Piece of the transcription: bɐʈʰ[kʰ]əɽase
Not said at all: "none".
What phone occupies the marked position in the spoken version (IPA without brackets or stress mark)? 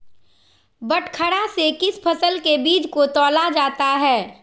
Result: kʰ